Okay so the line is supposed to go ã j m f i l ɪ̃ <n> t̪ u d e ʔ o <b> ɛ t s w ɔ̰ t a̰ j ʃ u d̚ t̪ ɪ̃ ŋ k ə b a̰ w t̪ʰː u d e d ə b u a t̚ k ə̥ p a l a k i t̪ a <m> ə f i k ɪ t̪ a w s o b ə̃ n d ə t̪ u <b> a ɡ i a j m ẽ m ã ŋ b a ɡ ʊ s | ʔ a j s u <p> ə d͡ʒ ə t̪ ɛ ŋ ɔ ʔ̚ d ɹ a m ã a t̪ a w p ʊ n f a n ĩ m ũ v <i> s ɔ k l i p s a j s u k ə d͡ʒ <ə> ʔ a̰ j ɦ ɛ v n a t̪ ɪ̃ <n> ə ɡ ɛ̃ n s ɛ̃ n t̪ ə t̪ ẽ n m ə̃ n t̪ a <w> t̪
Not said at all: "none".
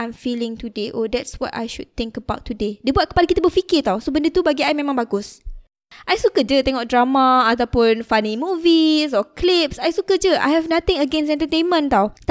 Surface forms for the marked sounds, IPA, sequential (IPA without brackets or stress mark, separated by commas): ŋ, d, b, b, k, i, ə, ŋ, w